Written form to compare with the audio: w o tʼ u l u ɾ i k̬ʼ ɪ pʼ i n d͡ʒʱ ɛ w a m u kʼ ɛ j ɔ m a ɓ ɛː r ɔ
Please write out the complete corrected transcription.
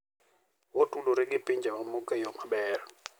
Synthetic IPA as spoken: w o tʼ u l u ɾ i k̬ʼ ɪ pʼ i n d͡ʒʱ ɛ w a m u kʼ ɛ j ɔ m a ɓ ɛː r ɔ